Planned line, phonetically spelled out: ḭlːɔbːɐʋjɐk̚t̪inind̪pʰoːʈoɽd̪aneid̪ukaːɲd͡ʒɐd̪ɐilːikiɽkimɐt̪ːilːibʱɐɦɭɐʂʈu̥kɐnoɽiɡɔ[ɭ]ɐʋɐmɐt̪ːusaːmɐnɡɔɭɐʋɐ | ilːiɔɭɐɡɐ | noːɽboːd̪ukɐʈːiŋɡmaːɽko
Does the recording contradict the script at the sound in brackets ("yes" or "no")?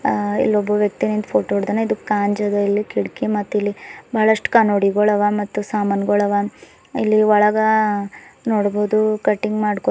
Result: no